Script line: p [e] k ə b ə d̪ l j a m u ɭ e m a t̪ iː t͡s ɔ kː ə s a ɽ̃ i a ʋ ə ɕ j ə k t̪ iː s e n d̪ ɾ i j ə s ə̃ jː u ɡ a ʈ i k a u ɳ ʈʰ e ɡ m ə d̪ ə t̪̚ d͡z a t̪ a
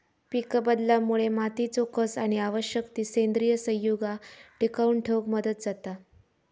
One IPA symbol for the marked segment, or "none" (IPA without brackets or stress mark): i